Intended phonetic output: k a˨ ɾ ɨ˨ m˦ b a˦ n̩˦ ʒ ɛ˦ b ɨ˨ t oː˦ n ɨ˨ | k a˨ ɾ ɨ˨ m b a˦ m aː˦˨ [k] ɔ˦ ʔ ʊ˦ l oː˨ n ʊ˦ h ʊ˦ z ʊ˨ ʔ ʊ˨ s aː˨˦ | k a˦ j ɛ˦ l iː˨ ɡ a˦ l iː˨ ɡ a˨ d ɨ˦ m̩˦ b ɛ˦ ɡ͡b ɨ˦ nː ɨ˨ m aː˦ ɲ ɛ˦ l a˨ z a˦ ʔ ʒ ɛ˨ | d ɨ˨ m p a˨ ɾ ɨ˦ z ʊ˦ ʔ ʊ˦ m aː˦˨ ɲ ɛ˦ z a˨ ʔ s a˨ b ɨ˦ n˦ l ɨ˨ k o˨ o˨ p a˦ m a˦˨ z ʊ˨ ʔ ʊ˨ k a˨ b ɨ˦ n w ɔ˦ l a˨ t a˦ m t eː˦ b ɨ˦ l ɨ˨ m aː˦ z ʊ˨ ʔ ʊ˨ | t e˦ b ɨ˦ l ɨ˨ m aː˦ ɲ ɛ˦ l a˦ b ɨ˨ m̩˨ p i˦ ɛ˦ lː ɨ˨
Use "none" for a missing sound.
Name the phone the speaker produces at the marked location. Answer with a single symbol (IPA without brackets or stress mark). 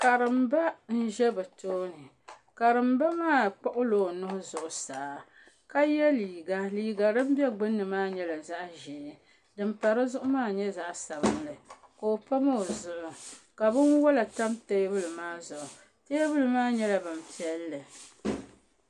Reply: k͡p